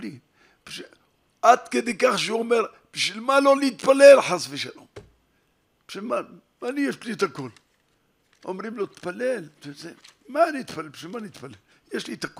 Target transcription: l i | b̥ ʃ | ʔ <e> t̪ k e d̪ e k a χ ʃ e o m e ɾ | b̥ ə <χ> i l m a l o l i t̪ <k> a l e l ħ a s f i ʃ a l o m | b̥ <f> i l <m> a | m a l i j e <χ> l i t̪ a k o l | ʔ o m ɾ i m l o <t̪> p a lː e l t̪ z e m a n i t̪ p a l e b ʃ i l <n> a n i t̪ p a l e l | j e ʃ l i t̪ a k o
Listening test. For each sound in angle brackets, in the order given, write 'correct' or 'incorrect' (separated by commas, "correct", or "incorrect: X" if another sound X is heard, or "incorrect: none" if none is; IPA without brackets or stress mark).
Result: incorrect: a, incorrect: ʃ, incorrect: p, incorrect: ʃ, correct, incorrect: ʃ, correct, incorrect: m